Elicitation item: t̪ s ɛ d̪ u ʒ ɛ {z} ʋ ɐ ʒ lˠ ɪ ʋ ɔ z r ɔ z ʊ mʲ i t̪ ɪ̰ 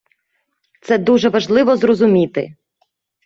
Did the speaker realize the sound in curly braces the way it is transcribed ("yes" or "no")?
no